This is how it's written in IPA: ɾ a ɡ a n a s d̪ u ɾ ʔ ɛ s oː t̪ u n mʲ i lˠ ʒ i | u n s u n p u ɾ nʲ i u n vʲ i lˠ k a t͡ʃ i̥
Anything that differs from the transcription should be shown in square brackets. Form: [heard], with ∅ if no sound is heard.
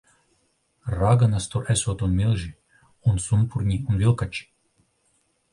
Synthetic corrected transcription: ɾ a ɡ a n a s [t̪] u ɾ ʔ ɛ s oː t̪ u n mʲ i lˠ ʒ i | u n s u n p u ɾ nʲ i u n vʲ i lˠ k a t͡ʃ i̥